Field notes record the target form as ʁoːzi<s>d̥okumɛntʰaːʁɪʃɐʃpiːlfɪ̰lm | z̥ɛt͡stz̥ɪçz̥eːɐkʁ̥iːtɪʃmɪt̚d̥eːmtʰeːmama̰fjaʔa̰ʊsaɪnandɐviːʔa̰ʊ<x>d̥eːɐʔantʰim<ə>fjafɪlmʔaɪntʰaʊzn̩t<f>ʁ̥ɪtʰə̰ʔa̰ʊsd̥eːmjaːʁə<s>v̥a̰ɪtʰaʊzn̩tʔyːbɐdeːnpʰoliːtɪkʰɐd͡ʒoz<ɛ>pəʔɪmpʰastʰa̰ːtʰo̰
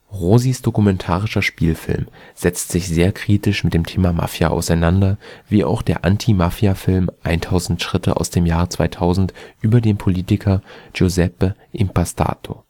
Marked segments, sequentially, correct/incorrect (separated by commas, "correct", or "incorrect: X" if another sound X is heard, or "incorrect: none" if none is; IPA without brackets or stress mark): correct, correct, incorrect: a, incorrect: ʃ, incorrect: t͡s, correct